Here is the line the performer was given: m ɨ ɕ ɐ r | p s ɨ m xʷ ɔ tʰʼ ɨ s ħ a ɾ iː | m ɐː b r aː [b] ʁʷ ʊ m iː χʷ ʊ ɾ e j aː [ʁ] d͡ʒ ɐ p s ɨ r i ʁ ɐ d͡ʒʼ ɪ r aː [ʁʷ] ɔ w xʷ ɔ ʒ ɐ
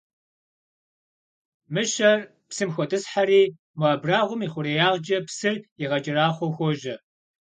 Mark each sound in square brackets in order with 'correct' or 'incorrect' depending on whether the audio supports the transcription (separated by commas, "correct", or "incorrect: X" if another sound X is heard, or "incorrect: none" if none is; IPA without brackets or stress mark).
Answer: incorrect: none, correct, incorrect: χʷ